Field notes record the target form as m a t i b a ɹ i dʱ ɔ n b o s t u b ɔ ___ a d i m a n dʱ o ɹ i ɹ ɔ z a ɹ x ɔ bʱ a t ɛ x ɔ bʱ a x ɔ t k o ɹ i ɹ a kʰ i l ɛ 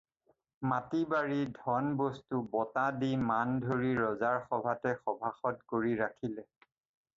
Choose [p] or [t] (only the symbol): t